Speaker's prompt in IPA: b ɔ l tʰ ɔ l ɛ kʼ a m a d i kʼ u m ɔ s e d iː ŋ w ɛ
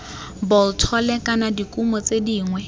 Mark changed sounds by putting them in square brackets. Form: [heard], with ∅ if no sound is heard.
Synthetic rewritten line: b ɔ l tʰ ɔ l ɛ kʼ a [n] a d i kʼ u m ɔ [t͡s] e d iː ŋ w ɛ